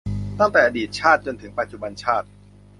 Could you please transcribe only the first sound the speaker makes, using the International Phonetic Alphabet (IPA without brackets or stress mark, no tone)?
t̪